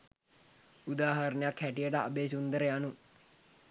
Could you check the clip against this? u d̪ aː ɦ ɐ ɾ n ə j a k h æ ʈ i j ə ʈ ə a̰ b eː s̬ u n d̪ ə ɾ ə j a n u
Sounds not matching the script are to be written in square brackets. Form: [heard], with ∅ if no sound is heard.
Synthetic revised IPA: u d̪ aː ɦ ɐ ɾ n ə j a k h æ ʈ i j ə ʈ ə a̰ b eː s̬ u n d̪ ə ɾ ə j a n u